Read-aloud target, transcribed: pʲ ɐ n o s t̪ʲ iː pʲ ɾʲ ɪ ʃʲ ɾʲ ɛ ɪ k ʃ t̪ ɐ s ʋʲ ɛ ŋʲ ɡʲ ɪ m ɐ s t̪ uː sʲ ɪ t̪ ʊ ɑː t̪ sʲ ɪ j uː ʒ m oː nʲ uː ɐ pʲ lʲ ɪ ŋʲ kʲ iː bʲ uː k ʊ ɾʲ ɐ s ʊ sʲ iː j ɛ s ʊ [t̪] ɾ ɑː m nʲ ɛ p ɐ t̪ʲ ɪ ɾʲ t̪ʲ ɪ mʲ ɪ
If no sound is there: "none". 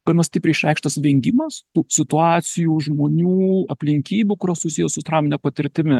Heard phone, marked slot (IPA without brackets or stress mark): t̪